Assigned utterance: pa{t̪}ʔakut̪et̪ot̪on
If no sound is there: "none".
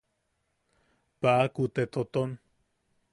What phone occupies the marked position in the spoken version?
none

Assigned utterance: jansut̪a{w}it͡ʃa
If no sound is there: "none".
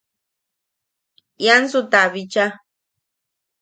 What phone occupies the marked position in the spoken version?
β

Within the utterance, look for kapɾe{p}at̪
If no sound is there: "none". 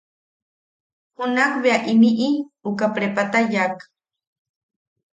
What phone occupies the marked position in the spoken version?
p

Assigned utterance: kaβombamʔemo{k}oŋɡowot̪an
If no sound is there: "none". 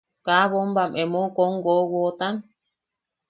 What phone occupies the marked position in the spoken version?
k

